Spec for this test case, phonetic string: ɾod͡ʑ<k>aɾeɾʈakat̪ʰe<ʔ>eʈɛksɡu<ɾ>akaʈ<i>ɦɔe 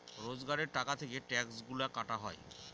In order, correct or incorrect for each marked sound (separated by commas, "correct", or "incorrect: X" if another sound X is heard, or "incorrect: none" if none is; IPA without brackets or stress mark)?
incorrect: ɡ, incorrect: k, incorrect: l, incorrect: a